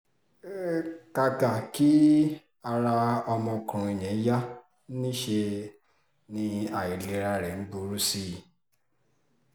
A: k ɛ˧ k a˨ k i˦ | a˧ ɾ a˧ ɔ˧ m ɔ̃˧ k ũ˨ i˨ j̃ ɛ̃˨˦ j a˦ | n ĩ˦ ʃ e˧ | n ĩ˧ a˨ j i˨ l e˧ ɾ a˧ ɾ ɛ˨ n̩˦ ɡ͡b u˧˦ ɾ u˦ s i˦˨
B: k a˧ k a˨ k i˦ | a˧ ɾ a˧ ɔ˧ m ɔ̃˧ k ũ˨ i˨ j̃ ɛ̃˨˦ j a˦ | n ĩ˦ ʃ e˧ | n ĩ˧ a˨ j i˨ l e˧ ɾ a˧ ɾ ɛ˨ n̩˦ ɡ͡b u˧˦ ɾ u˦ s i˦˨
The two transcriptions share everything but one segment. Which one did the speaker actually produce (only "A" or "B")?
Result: B